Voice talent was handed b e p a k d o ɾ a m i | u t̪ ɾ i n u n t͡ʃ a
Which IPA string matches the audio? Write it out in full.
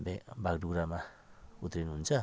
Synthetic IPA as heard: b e b a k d u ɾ a m a | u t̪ ɾ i n u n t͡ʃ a